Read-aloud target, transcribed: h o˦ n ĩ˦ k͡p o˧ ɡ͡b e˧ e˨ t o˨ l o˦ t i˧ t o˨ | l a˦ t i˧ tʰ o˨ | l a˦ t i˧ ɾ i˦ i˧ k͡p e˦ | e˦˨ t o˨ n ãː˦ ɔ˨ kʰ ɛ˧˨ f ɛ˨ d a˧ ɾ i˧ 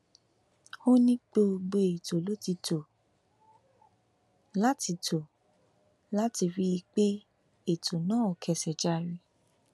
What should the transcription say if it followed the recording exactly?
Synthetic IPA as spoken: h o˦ n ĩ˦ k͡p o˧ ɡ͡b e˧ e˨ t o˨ l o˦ t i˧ t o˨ | l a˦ t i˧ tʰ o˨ | l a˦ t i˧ ɾ i˦ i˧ k͡p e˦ | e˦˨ t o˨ n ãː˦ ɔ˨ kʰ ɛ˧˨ s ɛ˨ d͡ʒ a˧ ɾ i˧

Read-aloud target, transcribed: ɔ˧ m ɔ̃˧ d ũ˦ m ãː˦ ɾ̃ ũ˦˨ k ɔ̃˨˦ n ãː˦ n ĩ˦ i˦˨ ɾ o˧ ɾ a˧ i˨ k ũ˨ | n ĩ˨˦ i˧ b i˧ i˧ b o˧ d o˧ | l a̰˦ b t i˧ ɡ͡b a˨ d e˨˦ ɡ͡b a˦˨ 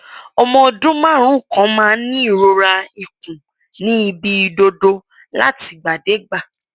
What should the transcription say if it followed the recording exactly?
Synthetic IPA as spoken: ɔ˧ m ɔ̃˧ d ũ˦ m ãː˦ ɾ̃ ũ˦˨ k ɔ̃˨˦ m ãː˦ n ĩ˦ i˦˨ ɾ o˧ ɾ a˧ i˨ k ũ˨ | n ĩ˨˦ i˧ b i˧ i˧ d o˧ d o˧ | l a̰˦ t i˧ ɡ͡b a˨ d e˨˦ ɡ͡b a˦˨

